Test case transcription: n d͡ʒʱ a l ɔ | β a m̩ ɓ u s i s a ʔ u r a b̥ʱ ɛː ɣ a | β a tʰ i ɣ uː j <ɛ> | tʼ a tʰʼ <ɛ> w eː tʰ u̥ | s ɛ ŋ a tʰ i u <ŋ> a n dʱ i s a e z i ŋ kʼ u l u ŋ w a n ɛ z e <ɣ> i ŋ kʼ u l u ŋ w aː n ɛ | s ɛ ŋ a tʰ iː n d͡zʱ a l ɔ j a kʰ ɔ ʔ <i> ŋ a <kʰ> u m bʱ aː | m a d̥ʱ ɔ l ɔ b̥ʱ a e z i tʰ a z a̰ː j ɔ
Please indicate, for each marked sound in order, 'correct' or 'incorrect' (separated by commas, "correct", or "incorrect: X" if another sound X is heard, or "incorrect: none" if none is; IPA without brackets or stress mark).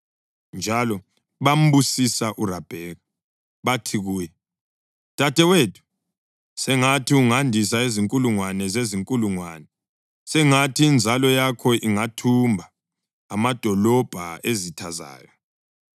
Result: correct, correct, correct, incorrect: z, correct, incorrect: tʰ